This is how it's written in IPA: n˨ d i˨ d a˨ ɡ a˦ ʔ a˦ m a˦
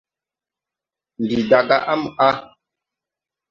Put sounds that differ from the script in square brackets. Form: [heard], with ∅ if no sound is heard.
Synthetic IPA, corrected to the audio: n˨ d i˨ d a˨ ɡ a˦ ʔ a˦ m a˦